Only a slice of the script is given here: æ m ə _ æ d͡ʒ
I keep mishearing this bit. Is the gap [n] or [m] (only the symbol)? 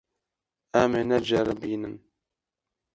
n